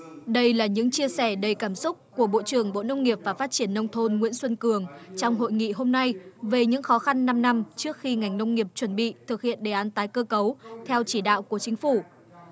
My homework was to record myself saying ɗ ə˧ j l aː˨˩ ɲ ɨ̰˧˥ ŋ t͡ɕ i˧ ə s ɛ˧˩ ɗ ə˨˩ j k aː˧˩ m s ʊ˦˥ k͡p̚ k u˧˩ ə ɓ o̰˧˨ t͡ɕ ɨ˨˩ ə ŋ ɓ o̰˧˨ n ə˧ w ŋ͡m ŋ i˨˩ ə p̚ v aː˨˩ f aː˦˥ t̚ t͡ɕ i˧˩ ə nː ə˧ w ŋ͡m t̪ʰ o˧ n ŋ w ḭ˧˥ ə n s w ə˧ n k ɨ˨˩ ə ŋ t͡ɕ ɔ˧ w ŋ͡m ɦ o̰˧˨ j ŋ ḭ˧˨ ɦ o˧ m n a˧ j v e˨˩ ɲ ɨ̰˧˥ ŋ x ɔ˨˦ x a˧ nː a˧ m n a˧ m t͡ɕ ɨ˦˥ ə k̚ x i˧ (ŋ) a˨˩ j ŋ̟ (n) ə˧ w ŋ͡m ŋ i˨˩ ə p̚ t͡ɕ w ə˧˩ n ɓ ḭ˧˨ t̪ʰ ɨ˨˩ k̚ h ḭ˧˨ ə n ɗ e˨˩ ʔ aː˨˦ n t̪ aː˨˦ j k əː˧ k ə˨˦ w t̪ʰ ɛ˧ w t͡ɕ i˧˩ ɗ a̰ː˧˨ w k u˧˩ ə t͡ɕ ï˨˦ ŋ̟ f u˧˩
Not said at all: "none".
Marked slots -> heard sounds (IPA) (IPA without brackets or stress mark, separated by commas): ŋ, n